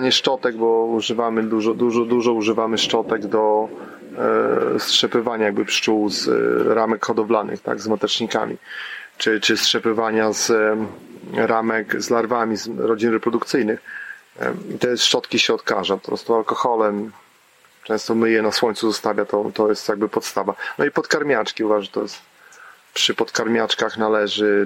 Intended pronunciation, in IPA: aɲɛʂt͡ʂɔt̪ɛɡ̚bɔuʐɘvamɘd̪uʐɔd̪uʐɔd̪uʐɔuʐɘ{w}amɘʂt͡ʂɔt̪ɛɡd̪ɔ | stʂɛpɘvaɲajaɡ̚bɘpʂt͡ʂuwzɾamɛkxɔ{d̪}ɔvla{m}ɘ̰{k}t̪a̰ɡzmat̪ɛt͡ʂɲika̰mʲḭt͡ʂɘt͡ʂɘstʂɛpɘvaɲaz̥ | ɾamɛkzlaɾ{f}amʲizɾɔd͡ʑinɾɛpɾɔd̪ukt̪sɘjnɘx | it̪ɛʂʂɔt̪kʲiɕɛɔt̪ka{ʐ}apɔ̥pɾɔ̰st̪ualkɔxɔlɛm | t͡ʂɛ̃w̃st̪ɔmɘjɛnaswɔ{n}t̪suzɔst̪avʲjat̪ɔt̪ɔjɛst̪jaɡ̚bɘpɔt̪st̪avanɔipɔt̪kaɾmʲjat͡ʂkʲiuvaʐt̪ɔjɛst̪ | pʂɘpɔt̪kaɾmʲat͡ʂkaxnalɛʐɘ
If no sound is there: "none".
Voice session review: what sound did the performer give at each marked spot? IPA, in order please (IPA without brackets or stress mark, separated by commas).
v, d̪, n, x, v, ʐ, ɲ